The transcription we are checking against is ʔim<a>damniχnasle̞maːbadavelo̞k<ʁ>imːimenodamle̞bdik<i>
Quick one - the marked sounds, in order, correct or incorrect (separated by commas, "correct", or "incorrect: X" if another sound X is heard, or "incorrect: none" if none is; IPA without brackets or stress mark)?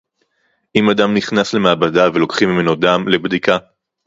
correct, incorrect: χ, incorrect: a